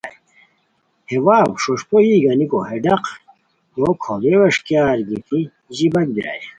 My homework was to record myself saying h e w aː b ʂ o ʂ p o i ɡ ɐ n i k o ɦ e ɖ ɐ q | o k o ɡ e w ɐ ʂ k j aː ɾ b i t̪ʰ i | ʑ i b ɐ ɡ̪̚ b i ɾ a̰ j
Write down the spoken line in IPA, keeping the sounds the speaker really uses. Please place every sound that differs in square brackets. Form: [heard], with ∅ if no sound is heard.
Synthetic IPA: h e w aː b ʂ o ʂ p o i ɡ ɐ n i k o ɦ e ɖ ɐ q | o [kʰ] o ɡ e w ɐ ʂ k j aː ɾ [ɡ] i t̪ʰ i | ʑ i b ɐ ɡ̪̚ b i ɾ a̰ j

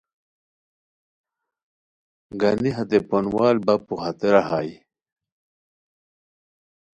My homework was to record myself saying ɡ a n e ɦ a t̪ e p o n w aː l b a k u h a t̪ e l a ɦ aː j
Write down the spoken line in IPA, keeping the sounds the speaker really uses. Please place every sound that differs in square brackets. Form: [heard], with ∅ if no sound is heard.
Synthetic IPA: ɡ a n [i] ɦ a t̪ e p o n w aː l b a [p] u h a t̪ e [ɾ] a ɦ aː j

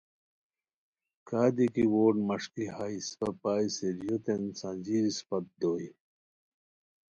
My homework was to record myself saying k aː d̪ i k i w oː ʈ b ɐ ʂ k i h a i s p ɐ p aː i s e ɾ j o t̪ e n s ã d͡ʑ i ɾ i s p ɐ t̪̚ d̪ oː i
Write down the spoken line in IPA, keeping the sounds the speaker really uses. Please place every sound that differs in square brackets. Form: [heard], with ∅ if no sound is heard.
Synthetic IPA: k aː d̪ i k i w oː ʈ [m] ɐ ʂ k i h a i s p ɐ p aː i s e ɾ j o t̪ e n s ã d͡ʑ i ɾ i s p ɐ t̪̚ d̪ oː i

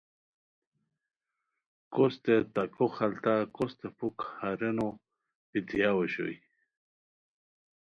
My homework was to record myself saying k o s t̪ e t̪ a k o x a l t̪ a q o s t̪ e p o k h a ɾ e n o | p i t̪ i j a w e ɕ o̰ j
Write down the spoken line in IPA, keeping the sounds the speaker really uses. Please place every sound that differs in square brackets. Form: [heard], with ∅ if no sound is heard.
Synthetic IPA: k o s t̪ e t̪ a k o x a l t̪ a [k] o s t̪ e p [u] k h a ɾ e n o | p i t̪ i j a w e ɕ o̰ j

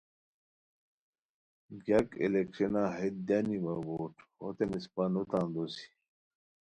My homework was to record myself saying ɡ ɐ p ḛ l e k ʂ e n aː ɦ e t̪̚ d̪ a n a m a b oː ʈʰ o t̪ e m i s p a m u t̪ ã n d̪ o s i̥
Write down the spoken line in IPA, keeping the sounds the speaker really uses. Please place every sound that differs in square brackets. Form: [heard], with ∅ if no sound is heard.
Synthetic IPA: ɡ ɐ [k] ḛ l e k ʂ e n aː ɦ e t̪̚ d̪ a n [i] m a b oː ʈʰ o t̪ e m i s p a [n] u t̪ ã n d̪ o s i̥

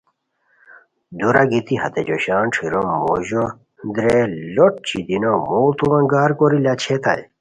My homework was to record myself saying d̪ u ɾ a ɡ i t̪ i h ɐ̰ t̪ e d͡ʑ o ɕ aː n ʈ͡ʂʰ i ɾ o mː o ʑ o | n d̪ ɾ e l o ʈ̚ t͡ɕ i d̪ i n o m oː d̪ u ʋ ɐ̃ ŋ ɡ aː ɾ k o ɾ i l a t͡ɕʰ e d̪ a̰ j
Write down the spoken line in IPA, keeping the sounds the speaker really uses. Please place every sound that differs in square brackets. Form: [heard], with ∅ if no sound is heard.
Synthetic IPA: d̪ u ɾ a ɡ i t̪ i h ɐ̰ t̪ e d͡ʑ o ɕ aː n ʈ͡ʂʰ i ɾ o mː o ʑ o | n d̪ ɾ e l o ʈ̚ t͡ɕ i d̪ i n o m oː [t̪] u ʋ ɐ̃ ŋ ɡ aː ɾ k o ɾ i l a t͡ɕʰ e [t̪] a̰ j

